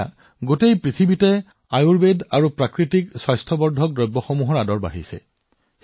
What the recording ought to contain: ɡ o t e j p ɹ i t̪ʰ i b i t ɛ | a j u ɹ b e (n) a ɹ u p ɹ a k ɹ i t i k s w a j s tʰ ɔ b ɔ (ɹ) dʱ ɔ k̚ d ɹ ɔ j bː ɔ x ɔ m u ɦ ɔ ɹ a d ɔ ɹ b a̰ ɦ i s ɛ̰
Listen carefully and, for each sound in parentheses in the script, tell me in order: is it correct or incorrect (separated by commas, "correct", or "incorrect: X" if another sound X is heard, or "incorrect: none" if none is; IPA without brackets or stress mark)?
incorrect: d, correct